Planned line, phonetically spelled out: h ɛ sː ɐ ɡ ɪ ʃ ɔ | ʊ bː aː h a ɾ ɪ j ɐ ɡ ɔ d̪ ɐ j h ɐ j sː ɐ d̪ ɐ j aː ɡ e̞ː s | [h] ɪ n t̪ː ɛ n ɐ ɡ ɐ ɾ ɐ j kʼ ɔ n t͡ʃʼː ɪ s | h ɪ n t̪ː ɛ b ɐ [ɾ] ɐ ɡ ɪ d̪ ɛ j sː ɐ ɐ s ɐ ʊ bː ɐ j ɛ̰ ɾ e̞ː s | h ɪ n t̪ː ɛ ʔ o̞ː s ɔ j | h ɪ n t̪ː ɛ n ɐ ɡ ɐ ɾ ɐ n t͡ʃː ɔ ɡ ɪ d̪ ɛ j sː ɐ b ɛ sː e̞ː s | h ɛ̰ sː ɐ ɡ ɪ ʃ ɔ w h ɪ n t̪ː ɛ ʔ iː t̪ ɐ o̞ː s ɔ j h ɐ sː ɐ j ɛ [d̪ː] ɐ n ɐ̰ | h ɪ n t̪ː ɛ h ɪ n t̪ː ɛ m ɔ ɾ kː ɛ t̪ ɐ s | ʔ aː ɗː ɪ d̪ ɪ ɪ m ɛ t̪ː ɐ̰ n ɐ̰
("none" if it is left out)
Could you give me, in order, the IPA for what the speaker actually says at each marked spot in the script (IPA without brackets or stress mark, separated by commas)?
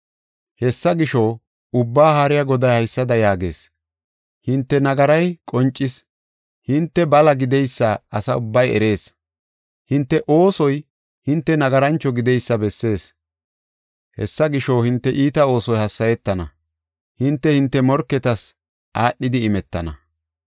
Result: h, l, t̪ː